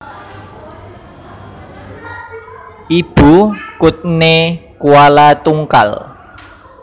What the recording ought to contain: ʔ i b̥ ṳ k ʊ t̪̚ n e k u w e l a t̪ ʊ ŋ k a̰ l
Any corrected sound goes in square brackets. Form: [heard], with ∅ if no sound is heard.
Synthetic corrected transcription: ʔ i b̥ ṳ k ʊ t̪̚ n e k u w [a] l a t̪ [u] ŋ k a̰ l